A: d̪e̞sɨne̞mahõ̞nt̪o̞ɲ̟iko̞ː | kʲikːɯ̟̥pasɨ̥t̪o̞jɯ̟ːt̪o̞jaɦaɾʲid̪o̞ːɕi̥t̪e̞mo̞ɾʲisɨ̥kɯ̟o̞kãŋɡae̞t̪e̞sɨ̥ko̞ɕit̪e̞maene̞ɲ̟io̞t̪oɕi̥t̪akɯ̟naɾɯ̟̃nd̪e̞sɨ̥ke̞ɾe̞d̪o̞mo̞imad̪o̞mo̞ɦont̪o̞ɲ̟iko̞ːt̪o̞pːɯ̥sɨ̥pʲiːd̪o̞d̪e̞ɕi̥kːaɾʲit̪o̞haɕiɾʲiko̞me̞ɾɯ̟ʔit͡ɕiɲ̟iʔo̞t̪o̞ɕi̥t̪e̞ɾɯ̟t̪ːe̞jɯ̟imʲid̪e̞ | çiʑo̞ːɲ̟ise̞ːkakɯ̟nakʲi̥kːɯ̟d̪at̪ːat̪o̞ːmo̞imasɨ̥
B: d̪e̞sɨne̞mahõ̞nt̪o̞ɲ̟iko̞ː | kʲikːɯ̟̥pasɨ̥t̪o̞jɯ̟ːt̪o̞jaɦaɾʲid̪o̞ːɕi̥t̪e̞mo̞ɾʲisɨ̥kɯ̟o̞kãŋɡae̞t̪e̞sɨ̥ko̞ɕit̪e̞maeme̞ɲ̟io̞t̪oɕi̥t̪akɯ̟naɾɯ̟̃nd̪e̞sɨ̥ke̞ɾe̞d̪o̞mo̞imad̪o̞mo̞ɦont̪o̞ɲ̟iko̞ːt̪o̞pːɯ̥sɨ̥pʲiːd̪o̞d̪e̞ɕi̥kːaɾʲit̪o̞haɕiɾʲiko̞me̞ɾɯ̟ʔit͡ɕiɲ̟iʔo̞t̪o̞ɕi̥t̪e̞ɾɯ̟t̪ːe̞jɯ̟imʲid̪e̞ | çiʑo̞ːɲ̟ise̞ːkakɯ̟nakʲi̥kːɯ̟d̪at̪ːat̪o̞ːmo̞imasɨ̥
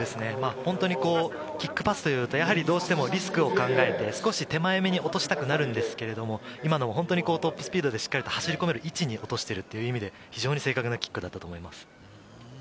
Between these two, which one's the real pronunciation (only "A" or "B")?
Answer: B